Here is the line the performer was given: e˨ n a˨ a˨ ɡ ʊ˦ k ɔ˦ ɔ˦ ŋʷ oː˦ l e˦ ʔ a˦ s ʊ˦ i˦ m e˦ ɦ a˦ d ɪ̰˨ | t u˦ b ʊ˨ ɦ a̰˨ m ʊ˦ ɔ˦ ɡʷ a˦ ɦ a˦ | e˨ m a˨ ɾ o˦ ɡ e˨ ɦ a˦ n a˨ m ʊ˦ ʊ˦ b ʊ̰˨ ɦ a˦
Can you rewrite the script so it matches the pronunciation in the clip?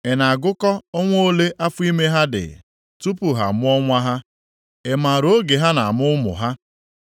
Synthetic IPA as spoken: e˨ n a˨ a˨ ɡ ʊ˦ k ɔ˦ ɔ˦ ŋʷ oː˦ l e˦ ʔ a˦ f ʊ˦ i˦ m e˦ ɦ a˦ d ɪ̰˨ | t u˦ p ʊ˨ ɦ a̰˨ m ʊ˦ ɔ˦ ŋʷ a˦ ɦ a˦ | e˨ m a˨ ɾ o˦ ɡ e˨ ɦ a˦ n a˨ m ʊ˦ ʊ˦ m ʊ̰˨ ɦ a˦